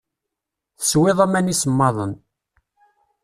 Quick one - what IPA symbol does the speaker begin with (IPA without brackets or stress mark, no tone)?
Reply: θ